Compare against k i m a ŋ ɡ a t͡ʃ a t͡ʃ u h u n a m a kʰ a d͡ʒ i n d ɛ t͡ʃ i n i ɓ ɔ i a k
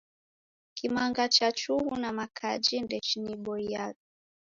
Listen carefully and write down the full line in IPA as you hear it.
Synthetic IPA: k i m a ŋ ɡ a t͡ʃ a t͡ʃ u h u n a m a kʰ a d͡ʒ i n d ɛ t͡ʃ i n i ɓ ɔ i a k